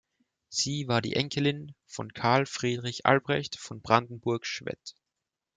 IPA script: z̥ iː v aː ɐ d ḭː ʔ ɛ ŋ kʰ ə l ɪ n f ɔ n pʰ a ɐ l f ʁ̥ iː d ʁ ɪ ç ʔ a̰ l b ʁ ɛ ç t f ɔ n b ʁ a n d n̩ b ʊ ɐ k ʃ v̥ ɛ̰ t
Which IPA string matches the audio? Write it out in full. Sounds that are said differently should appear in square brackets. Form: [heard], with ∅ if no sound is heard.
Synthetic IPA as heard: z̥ iː v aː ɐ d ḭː ʔ ɛ ŋ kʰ ə l ɪ n f ɔ n [kʰ] a ɐ l f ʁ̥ iː d ʁ ɪ ç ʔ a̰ l b ʁ ɛ ç t f ɔ n b ʁ a n d n̩ b ʊ ɐ k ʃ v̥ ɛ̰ t